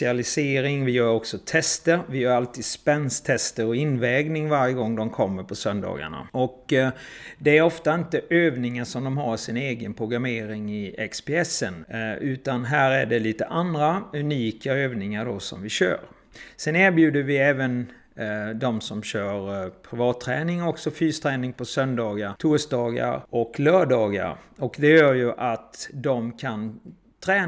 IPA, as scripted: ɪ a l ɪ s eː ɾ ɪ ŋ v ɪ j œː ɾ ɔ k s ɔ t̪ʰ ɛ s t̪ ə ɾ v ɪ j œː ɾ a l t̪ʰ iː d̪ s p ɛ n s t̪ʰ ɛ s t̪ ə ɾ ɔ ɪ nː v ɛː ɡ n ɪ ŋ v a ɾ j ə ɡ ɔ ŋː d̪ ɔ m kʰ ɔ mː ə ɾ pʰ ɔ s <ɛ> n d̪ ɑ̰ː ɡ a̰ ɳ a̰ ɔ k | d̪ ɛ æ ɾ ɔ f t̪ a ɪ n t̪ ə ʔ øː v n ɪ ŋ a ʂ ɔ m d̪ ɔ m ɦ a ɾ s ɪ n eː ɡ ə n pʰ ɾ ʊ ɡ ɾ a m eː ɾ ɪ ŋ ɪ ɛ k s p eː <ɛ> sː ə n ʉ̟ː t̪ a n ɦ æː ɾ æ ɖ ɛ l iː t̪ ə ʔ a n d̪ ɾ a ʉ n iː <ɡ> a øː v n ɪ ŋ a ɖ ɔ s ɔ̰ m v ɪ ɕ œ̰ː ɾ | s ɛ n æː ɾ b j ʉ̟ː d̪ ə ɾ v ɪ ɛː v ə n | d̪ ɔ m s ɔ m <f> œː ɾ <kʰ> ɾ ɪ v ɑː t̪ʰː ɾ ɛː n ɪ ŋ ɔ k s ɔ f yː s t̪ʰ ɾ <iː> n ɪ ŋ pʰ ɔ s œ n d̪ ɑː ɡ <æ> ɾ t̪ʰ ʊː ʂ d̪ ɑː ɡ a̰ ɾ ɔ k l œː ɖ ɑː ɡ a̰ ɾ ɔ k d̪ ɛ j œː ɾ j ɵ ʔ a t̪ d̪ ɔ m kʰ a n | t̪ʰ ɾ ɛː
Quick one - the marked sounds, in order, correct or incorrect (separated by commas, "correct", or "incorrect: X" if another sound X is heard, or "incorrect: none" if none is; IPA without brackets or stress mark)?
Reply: incorrect: œ, correct, incorrect: k, incorrect: ɕ, incorrect: pʰ, incorrect: ɛː, incorrect: a